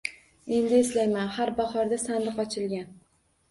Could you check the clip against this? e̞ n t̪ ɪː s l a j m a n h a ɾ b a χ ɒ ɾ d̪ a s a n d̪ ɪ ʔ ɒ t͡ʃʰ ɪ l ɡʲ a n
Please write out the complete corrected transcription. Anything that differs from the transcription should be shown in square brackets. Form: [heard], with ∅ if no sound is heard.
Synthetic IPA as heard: e̞ n [d̪] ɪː s l a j m a n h a ɾ b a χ ɒ ɾ d̪ a s a n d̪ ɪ [q] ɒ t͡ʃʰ ɪ l ɡʲ a n